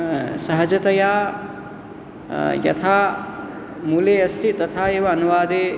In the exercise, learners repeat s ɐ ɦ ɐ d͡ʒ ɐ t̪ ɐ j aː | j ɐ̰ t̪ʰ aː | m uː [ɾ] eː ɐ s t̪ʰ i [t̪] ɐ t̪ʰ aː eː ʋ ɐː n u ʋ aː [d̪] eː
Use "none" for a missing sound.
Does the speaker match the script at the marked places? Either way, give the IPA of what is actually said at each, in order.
l, t̪, d̪

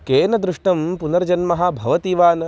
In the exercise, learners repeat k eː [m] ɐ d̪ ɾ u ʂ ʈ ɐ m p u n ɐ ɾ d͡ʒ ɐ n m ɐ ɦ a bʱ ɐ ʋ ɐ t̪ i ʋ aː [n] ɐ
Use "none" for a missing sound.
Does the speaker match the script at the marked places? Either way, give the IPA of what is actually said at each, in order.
n, n

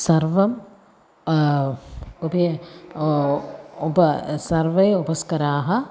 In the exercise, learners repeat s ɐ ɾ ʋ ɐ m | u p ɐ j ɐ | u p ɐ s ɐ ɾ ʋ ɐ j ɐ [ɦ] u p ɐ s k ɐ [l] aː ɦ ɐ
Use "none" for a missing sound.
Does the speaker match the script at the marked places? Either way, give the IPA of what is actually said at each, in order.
none, ɾ

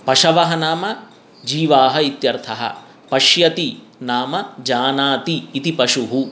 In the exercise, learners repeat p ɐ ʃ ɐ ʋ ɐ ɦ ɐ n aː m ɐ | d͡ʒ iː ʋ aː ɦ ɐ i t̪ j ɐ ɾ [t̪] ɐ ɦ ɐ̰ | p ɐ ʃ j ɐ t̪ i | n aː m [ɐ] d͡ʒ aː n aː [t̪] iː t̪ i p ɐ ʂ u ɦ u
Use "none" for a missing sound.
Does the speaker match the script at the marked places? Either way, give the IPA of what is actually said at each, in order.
t̪ʰ, ɐ, t̪

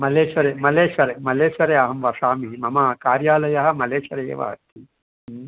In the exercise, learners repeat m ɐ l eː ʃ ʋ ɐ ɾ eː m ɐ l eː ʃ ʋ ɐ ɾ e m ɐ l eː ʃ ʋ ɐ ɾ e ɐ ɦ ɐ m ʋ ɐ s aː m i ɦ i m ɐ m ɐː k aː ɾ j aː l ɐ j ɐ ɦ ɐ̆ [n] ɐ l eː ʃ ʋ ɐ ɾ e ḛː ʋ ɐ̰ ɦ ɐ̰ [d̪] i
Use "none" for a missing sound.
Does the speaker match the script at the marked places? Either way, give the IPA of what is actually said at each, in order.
m, t̪

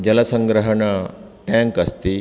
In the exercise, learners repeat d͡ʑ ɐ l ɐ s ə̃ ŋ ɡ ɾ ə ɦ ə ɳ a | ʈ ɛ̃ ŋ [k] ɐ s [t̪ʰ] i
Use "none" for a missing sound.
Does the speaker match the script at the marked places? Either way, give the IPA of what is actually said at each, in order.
k, t̪

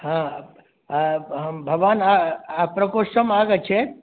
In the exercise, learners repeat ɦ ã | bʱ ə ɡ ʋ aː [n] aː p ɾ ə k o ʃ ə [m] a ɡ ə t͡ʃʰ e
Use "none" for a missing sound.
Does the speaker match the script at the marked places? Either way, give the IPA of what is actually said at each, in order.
n, m

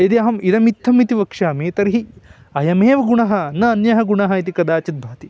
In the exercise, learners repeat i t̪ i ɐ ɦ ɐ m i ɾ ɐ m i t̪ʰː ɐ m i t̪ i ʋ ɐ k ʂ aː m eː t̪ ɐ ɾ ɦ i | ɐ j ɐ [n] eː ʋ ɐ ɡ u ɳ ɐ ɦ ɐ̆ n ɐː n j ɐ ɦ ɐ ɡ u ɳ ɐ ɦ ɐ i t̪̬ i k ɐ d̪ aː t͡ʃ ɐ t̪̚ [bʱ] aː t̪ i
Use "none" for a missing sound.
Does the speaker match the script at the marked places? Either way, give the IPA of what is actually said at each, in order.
m, bʱ

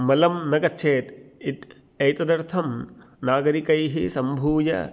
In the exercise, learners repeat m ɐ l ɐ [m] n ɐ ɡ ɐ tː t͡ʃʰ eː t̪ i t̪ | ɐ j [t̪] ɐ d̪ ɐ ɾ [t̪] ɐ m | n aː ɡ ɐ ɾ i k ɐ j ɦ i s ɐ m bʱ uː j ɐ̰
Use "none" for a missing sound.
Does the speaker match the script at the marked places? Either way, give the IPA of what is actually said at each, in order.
m, t̪, t̪ʰ

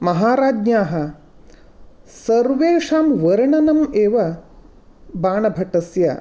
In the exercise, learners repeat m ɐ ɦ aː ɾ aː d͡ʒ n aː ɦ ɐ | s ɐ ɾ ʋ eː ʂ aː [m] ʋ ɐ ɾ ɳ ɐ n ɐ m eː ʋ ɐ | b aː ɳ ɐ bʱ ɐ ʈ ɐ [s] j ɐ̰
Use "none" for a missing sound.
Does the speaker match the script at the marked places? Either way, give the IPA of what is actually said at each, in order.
m, s

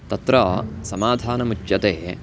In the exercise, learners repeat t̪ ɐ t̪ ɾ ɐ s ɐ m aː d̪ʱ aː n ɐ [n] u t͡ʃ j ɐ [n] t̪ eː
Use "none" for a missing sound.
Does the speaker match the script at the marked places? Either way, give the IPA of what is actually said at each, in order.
m, none

